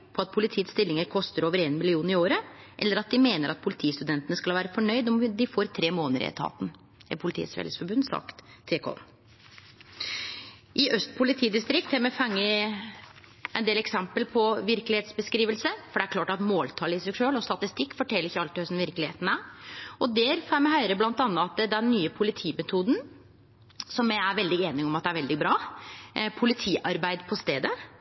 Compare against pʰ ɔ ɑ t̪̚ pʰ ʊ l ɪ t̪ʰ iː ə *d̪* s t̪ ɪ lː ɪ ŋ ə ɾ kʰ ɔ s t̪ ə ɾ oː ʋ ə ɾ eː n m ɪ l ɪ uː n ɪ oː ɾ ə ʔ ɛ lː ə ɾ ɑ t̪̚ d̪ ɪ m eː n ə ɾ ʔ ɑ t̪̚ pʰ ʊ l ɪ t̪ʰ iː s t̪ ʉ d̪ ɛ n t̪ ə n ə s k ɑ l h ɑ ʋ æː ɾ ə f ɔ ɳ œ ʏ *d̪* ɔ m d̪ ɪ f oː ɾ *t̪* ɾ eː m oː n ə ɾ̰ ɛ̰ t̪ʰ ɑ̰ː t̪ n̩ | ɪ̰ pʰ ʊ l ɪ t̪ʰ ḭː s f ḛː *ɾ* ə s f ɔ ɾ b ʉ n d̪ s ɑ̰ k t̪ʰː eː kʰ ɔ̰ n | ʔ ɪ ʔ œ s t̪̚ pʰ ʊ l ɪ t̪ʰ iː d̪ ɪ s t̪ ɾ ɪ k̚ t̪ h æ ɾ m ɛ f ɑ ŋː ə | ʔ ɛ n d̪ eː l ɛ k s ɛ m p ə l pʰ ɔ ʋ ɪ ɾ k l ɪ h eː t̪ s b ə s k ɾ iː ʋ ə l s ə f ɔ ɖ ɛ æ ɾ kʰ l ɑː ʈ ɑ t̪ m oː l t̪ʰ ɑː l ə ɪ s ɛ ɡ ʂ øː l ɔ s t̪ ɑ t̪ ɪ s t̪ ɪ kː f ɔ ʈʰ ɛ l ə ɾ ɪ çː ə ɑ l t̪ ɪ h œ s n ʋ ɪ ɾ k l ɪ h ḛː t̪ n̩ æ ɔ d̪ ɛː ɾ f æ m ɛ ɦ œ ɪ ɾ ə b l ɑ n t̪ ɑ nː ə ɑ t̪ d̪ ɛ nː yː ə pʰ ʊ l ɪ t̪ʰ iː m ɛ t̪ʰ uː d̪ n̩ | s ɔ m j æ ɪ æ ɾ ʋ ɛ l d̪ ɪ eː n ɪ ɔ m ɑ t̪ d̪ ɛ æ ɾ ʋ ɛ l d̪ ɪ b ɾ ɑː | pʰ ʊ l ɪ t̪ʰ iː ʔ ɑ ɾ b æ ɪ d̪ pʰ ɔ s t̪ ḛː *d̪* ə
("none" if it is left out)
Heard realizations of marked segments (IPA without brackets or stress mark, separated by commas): t̪, d̪, t̪ʰ, l, d̪